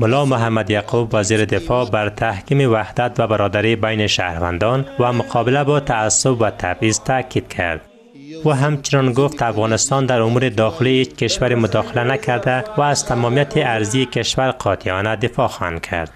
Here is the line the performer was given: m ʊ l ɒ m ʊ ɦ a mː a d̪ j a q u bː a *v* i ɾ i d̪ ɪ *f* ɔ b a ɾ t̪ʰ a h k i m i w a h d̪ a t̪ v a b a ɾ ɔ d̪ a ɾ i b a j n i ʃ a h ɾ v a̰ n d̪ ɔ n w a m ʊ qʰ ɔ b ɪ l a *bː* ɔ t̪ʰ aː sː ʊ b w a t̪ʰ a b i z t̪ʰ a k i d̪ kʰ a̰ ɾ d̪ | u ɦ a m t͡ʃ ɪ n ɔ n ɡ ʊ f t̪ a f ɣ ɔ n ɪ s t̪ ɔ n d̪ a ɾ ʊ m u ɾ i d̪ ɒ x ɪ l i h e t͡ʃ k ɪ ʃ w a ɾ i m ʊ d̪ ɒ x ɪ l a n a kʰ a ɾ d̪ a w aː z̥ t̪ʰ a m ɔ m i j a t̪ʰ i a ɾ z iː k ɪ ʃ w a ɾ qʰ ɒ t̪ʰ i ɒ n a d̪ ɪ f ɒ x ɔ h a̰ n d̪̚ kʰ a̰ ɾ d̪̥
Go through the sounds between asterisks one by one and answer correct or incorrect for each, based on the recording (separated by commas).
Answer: incorrect, correct, incorrect